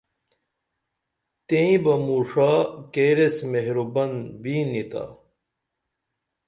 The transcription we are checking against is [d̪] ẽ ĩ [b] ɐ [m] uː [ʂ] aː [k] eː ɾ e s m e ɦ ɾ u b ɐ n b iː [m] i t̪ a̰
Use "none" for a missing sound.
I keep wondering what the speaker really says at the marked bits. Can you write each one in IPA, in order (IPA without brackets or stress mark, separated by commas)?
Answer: t̪, b, m, ʂ, k, n